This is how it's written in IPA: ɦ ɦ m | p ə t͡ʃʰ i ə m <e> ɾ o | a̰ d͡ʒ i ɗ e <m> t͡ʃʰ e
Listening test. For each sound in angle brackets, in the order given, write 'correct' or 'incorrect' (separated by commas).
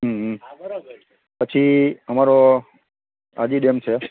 incorrect, correct